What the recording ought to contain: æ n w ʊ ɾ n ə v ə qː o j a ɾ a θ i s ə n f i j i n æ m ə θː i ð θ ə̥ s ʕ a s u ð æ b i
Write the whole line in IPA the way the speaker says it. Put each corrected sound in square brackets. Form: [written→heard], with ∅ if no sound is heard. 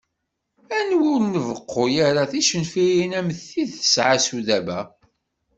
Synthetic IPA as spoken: æ n w ʊ ɾ n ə v ə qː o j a ɾ a θ i [s→ʃ] ə n f i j i n æ m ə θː i ð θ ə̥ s ʕ a s u ð æ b [i→æ]